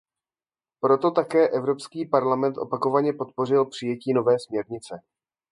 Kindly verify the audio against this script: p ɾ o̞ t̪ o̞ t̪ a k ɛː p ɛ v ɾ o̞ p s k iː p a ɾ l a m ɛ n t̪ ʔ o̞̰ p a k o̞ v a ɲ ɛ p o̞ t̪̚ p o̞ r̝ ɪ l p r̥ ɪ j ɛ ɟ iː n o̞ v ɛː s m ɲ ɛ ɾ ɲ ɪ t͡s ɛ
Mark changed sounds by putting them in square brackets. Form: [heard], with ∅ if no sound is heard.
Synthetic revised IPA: p ɾ o̞ t̪ o̞ t̪ a k ɛː [ʔ] ɛ v ɾ o̞ p s k iː p a ɾ l a m ɛ n t̪ ʔ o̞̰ p a k o̞ v a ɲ ɛ p o̞ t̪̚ p o̞ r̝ ɪ l p r̥ ɪ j ɛ [c] iː n o̞ v ɛː s m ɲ ɛ ɾ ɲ ɪ t͡s ɛ